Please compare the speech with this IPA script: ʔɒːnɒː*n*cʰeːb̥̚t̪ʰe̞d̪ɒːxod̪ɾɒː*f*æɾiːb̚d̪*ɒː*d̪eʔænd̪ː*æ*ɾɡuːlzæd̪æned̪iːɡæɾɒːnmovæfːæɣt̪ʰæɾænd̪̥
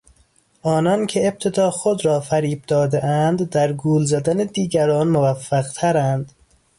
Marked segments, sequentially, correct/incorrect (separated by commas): correct, correct, correct, correct